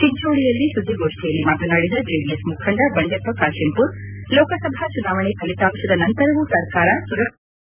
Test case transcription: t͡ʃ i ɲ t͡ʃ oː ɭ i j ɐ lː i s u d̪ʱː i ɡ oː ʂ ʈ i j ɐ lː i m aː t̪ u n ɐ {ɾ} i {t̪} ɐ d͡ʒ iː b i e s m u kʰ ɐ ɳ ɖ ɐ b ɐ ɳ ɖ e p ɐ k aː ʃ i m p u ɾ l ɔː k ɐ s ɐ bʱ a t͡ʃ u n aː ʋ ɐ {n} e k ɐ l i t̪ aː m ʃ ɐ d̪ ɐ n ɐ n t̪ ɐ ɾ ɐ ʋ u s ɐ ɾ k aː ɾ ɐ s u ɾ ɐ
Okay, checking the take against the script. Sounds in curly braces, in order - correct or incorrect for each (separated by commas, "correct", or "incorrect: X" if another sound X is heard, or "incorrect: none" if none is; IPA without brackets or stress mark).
incorrect: ɽ, incorrect: d̪, incorrect: ɳ